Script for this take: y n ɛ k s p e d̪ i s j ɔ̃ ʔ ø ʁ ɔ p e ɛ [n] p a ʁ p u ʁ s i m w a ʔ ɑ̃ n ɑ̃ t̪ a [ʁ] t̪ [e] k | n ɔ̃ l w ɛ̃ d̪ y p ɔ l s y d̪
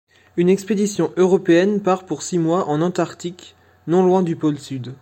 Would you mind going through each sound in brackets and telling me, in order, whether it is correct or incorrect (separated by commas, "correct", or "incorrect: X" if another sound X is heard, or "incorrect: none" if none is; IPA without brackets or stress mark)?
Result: correct, correct, incorrect: i